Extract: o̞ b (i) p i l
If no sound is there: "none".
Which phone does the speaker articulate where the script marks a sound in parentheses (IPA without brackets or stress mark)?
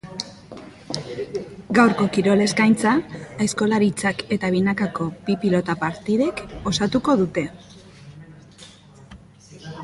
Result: i